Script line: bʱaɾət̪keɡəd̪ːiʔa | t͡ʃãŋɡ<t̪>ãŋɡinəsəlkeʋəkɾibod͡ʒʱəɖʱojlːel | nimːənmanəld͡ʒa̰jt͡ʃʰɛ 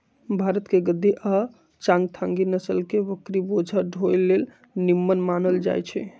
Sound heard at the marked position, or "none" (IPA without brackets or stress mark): t̪ʰ